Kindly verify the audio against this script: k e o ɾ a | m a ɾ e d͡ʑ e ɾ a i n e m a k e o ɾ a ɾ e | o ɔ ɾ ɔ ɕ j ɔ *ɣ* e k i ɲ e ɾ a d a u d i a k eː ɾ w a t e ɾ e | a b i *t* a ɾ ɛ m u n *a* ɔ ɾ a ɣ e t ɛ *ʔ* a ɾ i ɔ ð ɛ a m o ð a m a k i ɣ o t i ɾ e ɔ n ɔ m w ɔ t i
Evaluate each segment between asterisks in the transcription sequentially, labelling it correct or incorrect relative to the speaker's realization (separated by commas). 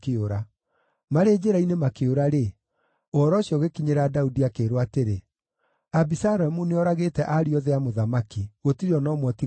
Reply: correct, incorrect, incorrect, correct